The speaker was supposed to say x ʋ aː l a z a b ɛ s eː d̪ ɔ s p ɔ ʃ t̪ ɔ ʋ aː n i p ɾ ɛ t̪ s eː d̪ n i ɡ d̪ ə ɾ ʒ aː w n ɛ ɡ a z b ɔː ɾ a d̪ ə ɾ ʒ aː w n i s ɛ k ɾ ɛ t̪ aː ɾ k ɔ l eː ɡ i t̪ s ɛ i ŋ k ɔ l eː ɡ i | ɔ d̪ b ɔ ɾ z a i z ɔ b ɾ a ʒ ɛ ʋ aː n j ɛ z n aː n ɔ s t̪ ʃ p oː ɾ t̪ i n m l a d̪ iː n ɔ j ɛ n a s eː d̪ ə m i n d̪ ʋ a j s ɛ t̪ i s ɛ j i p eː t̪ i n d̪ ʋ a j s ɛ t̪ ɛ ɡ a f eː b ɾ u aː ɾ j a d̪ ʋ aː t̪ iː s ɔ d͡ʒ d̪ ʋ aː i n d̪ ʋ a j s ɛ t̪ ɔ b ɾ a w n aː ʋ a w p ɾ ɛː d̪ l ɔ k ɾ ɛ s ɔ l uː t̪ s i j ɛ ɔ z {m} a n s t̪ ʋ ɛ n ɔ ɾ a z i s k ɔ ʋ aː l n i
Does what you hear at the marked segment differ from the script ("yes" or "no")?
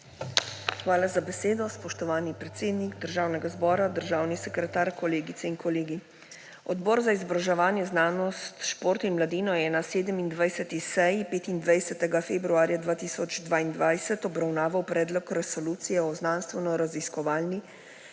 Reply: yes